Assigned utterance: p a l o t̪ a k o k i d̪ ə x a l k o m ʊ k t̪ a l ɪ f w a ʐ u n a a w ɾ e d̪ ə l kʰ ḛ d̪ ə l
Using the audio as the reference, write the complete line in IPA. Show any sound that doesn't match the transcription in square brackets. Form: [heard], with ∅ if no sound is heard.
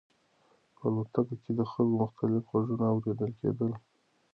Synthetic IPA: p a l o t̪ a k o k [e] d̪ ə x a l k o m ʊ [x] t̪ a l ɪ f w a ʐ u n a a w ɾ e d̪ ə l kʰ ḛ d̪ ə l